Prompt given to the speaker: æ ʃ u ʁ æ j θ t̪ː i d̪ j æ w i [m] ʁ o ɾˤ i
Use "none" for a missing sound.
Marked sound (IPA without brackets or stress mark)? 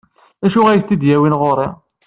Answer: n